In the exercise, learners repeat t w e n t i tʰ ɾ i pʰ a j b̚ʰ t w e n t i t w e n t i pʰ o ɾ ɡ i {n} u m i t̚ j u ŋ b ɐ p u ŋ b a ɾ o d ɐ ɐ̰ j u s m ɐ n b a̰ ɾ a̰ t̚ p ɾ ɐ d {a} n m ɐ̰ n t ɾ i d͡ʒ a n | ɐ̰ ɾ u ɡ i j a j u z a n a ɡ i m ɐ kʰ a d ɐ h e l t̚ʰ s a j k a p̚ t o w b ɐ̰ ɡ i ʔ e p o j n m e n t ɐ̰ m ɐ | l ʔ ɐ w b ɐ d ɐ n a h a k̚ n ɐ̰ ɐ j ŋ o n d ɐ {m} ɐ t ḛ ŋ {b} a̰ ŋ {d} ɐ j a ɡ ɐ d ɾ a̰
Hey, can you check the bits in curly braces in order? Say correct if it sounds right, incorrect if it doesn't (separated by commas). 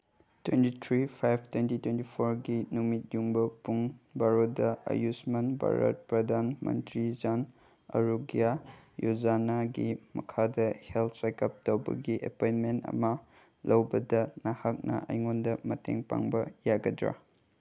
correct, correct, correct, incorrect, incorrect